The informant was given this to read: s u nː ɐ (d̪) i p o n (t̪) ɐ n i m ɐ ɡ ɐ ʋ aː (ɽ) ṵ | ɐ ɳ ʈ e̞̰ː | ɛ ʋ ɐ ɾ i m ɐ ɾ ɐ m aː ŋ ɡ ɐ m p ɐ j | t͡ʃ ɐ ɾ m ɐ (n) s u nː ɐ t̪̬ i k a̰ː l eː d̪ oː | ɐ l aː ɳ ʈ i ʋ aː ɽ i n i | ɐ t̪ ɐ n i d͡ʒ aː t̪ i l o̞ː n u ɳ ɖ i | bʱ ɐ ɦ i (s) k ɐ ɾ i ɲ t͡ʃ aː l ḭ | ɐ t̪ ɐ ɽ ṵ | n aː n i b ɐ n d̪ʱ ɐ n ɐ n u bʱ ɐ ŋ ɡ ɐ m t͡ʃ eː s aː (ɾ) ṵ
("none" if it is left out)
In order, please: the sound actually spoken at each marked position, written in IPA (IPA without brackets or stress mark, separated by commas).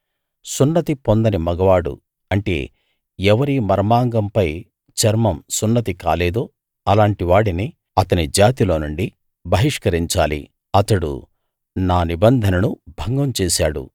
t̪, d̪, ɽ, m, ʂ, ɽ